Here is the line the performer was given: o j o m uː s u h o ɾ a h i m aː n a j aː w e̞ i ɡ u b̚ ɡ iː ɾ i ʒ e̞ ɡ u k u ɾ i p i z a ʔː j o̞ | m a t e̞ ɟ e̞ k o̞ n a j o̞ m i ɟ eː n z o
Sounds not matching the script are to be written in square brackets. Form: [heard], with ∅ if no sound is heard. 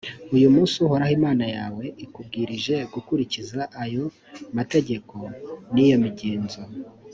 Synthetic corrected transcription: [u] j [u] m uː s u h o ɾ a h i m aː n a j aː w e̞ i [k] u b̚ ɡ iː ɾ i ʒ e̞ ɡ u k u ɾ i [c] i z a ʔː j o̞ | m a t e̞ ɟ e̞ k o̞ n [i] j o̞ m i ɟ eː n z o